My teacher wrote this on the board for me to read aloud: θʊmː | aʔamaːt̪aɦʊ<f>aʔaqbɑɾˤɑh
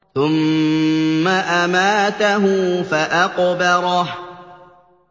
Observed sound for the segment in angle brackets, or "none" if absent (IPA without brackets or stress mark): f